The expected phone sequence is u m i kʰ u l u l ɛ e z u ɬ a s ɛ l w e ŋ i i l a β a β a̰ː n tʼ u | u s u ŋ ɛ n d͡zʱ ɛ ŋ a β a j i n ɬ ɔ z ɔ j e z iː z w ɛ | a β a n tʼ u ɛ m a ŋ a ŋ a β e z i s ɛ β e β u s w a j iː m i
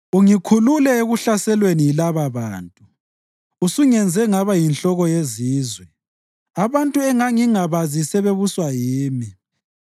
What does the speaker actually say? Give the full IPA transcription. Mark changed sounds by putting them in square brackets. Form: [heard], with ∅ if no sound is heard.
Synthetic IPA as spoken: u [ŋ] i kʰ u l u l ɛ e [ɣ] u ɬ a s ɛ l w e [n] i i l a β a β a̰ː n tʼ u | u s u ŋ ɛ n d͡zʱ ɛ ŋ a β a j i n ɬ ɔ [ɣ] ɔ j e z iː z w ɛ | a β a n tʼ u ɛ [ŋ] a ŋ [i] ŋ a β [a] z i s ɛ β e β u s w a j iː m i